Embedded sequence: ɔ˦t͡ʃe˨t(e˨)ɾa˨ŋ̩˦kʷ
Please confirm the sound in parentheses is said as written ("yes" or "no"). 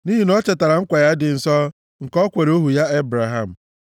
no